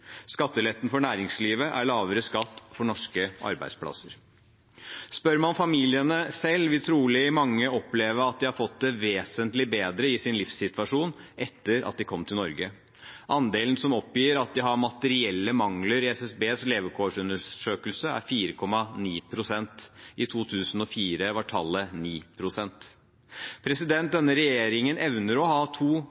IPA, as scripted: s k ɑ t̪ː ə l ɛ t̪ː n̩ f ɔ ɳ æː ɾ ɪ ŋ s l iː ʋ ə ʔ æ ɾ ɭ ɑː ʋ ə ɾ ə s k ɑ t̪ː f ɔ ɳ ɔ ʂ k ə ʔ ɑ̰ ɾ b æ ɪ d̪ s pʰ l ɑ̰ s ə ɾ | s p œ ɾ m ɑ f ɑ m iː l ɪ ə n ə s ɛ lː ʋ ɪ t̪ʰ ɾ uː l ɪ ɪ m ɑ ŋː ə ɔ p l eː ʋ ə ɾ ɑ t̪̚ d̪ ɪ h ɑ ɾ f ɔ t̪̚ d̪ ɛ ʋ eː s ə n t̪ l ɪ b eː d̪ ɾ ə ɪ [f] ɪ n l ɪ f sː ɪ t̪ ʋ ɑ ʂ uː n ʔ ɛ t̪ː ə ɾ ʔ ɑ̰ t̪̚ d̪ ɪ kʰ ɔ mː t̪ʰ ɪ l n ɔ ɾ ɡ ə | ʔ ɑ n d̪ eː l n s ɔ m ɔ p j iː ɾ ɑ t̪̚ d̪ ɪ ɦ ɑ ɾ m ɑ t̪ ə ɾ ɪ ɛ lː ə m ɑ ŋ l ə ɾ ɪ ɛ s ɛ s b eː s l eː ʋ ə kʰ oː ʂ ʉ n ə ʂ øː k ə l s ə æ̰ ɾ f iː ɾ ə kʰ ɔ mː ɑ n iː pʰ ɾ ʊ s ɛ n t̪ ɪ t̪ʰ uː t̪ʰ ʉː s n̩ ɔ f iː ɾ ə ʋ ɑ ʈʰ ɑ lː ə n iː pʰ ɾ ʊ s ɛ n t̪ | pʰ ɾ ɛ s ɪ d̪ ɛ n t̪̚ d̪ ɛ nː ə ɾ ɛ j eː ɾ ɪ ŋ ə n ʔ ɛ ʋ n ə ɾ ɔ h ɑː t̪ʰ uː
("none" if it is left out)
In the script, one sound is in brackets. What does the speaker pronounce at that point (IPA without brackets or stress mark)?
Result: s